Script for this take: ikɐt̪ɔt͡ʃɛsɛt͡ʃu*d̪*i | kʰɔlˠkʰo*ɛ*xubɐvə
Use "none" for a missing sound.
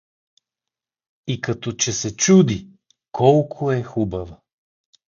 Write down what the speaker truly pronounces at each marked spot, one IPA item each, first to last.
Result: d̪, ɛ

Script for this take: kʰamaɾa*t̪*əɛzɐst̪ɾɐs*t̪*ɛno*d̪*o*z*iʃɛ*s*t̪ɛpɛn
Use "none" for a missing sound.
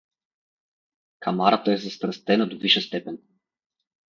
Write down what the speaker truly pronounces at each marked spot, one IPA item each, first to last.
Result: t̪, t̪, d̪, v, s

